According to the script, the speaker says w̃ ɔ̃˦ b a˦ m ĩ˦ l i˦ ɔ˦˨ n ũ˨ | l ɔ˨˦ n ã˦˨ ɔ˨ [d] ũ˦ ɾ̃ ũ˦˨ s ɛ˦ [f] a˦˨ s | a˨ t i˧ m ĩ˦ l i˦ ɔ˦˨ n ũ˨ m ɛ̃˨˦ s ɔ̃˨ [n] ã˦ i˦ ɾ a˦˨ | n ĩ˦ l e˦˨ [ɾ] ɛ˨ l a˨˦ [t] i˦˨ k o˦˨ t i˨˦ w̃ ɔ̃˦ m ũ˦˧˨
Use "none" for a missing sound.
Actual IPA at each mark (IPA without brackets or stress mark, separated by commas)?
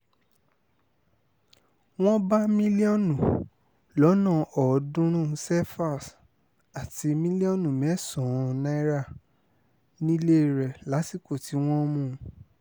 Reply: d, f, n, ɾ, s